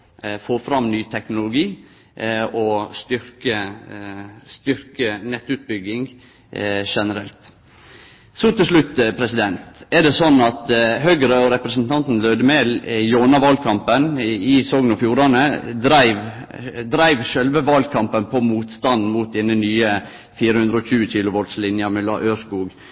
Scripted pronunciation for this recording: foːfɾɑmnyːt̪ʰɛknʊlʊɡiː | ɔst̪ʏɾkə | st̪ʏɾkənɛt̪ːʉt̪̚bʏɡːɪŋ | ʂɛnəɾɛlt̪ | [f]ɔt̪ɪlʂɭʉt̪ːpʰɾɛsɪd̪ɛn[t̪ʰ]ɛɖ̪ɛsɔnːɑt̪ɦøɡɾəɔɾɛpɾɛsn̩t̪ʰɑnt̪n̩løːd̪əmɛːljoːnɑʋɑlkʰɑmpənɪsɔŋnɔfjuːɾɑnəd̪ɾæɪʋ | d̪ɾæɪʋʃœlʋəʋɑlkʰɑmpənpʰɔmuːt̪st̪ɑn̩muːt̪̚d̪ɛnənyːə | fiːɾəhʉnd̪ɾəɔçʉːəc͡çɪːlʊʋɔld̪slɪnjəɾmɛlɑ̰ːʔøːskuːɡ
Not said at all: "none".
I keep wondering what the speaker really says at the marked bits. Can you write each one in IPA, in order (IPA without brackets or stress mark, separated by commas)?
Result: s, t̪